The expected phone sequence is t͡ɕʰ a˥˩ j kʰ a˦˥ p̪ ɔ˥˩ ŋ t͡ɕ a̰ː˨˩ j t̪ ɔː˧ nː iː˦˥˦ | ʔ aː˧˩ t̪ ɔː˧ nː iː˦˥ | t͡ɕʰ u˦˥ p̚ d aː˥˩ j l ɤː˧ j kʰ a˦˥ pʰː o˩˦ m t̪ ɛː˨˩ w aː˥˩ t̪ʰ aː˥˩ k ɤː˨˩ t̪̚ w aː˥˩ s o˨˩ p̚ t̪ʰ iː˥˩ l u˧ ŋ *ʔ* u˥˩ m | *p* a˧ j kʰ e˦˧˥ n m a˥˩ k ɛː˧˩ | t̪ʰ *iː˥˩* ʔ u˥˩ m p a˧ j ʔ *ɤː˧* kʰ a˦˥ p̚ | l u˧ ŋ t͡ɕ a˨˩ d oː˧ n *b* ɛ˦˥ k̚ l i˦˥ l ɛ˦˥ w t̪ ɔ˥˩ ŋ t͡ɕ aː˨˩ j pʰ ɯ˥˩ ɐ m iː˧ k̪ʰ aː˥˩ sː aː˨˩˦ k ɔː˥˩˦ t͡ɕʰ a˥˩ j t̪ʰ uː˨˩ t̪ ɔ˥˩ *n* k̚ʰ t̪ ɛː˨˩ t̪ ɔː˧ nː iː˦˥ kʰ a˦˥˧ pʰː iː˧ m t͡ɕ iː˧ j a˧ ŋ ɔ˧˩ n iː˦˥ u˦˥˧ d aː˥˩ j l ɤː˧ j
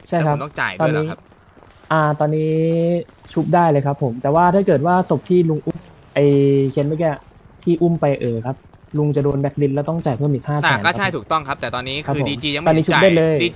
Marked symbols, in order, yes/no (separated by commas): yes, no, yes, no, yes, no